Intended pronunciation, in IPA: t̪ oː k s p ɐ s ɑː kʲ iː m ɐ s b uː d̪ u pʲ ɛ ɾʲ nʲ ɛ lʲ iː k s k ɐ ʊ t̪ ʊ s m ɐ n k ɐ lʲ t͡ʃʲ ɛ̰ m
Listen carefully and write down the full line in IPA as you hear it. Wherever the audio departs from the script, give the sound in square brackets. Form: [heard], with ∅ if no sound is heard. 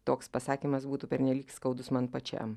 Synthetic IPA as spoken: t̪ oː k s p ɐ s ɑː kʲ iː m ɐ s b uː [t̪] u pʲ ɛ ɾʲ nʲ ɛ lʲ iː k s k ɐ ʊ [d̪] ʊ s m ɐ n [p] ɐ [∅] t͡ʃʲ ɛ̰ m